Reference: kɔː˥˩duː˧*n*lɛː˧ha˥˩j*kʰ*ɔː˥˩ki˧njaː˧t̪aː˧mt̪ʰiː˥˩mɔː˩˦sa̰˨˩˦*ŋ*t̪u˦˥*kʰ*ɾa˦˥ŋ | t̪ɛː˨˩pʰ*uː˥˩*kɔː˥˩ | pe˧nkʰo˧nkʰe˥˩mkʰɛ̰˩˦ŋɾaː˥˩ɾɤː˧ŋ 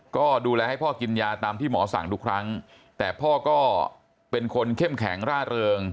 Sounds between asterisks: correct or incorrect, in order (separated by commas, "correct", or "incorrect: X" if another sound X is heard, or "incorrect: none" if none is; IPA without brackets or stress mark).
incorrect: none, incorrect: pʰ, correct, correct, incorrect: ɔː˥˩